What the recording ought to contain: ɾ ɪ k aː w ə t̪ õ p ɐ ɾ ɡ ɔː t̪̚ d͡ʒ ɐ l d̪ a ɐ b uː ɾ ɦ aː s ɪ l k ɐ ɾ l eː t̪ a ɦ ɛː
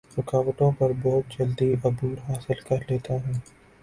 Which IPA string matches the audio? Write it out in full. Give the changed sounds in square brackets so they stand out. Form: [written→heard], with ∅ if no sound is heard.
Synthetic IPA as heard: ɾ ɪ k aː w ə t̪ õ p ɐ ɾ [ɡ→b] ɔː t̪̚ d͡ʒ ɐ l d̪ [a→i] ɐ b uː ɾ ɦ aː s ɪ l k ɐ ɾ l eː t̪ a ɦ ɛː